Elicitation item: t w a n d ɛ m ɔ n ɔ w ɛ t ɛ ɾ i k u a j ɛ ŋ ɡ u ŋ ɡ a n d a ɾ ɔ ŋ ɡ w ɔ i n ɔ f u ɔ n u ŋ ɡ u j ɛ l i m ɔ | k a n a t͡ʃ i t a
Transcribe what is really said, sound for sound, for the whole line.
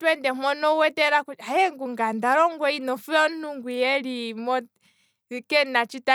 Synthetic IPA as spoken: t w ɛ n d ɛ m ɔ n ɔ w ɛ t ɛ ɾ a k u a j ɛ ŋ ɡ u ŋ ɡ a n d a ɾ ɔ ŋ ɡ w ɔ i n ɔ f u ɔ n u ŋ ɡ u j ɛ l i m ɔ | k ɛ n a t͡ʃ i t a